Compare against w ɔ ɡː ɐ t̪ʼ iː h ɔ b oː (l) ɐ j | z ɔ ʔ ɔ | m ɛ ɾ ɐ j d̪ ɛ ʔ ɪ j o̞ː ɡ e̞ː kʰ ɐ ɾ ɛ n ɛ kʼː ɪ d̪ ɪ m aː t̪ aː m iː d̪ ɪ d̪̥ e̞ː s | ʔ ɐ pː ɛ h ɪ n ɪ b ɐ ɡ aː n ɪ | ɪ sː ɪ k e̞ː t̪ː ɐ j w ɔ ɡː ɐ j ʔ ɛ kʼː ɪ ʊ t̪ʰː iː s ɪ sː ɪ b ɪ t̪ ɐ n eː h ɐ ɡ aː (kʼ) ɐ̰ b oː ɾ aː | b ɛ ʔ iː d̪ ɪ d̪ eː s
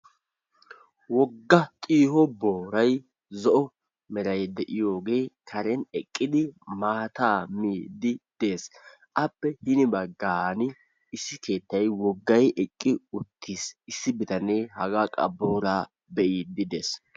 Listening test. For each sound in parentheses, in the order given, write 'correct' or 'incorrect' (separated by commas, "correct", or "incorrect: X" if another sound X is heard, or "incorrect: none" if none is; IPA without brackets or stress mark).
incorrect: ɾ, correct